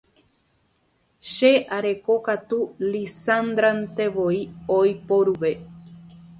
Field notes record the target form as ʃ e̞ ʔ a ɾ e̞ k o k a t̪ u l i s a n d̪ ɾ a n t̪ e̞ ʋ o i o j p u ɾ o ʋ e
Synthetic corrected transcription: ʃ e̞ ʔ a ɾ e̞ k o k a t̪ u l i s a n d̪ ɾ a n t̪ e̞ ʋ o i o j p o ɾ u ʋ e